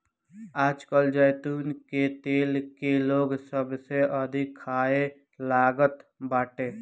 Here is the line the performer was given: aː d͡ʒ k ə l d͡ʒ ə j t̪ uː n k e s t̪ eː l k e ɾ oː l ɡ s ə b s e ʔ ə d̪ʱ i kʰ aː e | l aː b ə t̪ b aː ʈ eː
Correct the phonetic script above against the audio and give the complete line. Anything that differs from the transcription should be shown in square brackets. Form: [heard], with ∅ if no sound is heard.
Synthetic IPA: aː d͡ʒ k ə l d͡ʒ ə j t̪ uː n k e [∅] t̪ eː l k e [l] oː [∅] ɡ s ə b s e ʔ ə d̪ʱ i kʰ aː e | l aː [ɡ] ə t̪ b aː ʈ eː